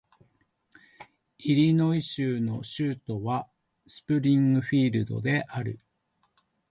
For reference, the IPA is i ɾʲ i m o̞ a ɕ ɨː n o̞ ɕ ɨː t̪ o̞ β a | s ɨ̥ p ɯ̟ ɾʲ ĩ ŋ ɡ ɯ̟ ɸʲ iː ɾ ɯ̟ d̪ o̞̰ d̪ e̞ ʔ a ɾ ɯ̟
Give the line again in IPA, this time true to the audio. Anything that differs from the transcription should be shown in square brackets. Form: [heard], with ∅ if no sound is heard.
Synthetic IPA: i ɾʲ i [n] o̞ [i] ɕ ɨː n o̞ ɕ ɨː t̪ o̞ β a | s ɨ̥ p ɯ̟ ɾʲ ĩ ŋ ɡ ɯ̟ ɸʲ iː ɾ ɯ̟ d̪ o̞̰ d̪ e̞ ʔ a ɾ ɯ̟

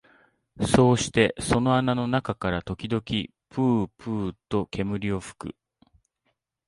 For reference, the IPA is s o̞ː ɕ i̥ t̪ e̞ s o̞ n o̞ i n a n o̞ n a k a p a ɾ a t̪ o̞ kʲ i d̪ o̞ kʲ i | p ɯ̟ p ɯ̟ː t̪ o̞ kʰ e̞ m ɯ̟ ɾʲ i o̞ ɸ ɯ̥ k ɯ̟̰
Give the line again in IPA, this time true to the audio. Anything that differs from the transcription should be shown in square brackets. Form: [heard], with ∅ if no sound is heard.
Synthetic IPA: s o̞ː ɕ i̥ t̪ e̞ s o̞ n o̞ [a] n a n o̞ n a k a [k] a ɾ a t̪ o̞ kʲ i d̪ o̞ kʲ i | p [ɯ̟ː] p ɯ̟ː t̪ o̞ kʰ e̞ m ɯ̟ ɾʲ i o̞ ɸ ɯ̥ k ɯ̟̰

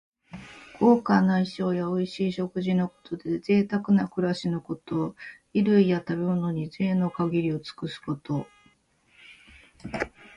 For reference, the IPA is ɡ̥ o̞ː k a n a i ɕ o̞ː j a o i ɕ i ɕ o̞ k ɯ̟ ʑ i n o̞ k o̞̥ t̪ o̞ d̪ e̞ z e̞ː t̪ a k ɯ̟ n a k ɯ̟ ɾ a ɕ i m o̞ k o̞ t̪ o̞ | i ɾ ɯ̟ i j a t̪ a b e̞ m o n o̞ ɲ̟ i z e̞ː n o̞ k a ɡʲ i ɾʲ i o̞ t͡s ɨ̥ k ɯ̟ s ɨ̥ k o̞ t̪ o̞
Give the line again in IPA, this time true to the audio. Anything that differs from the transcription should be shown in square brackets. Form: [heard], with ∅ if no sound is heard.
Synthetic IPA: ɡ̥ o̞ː k a n a i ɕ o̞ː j a o i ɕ [iː] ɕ o̞ k ɯ̟ ʑ i n o̞ k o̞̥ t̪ o̞ d̪ e̞ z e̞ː t̪ a k ɯ̟ n a k ɯ̟ ɾ a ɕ i [n] o̞ k o̞ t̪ o̞ | i ɾ ɯ̟ i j a t̪ a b e̞ m o n o̞ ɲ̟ i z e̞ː n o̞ k a ɡʲ i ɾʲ i o̞ t͡s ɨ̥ k ɯ̟ s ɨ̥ k o̞ t̪ o̞

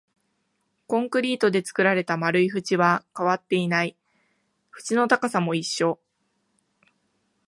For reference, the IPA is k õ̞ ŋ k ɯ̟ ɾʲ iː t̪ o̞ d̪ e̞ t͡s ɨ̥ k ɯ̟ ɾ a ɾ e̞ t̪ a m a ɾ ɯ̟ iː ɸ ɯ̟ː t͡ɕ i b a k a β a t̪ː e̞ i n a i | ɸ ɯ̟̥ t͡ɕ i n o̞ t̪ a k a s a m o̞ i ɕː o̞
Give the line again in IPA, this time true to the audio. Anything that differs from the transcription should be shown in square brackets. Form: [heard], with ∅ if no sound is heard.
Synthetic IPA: k õ̞ ŋ k ɯ̟ ɾʲ iː t̪ o̞ d̪ e̞ t͡s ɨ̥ k ɯ̟ ɾ a ɾ e̞ t̪ a m a ɾ ɯ̟ [i] ɸ [ɯ̟] t͡ɕ i [β] a k a β a t̪ː e̞ i n a i | ɸ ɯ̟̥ t͡ɕ i n o̞ t̪ a k a s a m o̞ i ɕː o̞

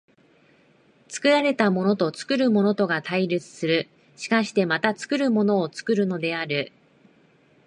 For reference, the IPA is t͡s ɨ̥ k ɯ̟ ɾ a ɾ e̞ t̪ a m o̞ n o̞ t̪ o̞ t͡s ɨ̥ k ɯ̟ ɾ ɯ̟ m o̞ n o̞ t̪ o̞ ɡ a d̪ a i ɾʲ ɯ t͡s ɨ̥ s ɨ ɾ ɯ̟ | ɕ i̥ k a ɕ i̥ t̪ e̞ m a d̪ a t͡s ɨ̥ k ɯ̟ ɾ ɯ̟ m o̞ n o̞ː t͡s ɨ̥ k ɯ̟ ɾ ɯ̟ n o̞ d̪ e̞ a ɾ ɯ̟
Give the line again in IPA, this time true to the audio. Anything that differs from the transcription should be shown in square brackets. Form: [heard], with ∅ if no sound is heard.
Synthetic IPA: t͡s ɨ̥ k ɯ̟ ɾ a ɾ e̞ t̪ a m o̞ n o̞ t̪ o̞ t͡s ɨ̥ k ɯ̟ ɾ ɯ̟ m o̞ n o̞ t̪ o̞ ɡ a [t̪] a i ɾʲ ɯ t͡s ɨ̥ s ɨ ɾ ɯ̟ | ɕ i̥ k a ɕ i̥ t̪ e̞ m a [t̪] a t͡s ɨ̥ k ɯ̟ ɾ ɯ̟ m o̞ n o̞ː t͡s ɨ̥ k ɯ̟ ɾ ɯ̟ n o̞ d̪ e̞ a ɾ ɯ̟

